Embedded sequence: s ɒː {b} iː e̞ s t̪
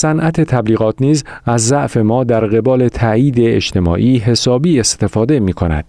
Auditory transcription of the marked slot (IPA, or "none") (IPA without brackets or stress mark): b